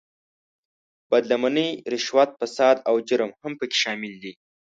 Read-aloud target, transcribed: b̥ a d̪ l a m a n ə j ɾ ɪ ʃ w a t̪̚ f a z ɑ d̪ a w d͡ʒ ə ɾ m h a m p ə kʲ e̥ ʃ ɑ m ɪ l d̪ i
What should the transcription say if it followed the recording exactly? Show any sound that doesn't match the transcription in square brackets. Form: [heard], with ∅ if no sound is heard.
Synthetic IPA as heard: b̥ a d̪ l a m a n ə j ɾ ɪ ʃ w a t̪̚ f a [s] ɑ d̪ a w d͡ʒ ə ɾ m h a m p ə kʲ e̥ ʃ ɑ m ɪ l d̪ i